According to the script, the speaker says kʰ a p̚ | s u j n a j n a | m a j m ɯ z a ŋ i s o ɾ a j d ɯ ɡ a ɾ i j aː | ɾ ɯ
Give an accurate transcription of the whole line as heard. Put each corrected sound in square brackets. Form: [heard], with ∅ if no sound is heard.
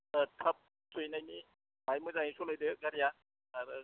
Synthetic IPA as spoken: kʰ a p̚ | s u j n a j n [i] | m a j m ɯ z a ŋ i s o [l] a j d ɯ ɡ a ɾ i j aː | ɾ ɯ